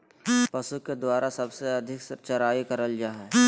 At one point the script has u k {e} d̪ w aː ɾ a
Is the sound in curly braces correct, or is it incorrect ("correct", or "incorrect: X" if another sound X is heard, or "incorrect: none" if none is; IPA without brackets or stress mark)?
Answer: correct